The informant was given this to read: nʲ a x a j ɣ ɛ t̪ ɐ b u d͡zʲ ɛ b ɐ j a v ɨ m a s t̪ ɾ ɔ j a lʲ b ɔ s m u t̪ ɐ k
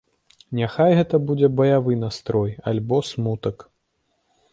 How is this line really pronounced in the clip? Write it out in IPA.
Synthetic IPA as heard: nʲ a x a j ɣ ɛ t̪ ɐ b u d͡zʲ ɛ b ɐ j a v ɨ n a s t̪ ɾ ɔ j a lʲ b ɔ s m u t̪ ɐ k